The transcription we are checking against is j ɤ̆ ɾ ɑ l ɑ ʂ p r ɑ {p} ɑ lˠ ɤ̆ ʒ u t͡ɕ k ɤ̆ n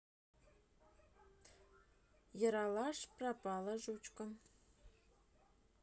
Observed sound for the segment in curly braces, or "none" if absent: p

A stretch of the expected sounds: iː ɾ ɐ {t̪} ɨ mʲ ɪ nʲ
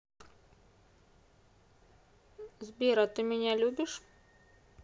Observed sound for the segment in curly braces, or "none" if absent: t̪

